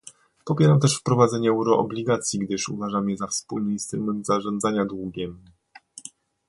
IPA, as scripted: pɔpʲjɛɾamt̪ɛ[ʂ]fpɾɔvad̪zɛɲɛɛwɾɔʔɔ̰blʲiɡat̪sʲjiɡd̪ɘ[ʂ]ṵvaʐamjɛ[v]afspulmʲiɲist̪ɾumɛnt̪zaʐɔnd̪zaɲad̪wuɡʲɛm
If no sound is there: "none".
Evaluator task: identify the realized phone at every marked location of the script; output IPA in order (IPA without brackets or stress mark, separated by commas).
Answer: ʂ, ʂ, z